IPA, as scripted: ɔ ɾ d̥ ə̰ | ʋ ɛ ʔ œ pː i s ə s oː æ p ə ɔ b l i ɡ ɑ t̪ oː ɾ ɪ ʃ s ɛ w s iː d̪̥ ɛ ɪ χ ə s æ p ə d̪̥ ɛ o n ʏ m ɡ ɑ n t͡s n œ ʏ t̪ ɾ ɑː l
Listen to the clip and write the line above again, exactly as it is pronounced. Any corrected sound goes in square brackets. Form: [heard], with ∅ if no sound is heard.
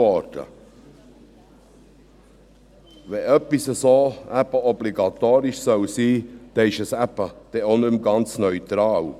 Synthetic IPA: ɔ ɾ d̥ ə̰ | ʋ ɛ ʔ œ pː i s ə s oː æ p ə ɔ b l i ɡ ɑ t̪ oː ɾ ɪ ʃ s [œ] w s iː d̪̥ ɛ ɪ [ʃ] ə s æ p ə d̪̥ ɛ o n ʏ m ɡ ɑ n t͡s n œ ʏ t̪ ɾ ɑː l